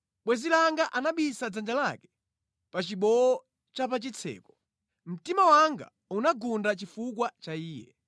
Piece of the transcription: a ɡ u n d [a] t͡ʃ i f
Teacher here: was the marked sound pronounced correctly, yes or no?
yes